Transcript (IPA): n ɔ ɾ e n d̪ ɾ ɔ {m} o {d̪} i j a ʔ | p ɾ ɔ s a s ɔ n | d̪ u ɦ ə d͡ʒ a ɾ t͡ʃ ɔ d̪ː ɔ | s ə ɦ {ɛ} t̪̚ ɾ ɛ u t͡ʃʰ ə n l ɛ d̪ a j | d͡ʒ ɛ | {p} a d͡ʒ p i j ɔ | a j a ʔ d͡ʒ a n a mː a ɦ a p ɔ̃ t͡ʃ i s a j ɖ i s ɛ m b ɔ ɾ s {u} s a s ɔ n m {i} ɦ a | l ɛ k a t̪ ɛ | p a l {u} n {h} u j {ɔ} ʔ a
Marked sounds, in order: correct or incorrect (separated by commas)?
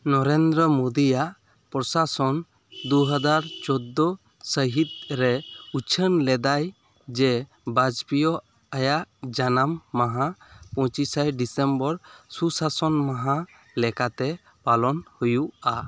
correct, correct, incorrect, incorrect, correct, incorrect, incorrect, correct, incorrect